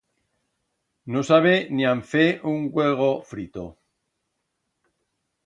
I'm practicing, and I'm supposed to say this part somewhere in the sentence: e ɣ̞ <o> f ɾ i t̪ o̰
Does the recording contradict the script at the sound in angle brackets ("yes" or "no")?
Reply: no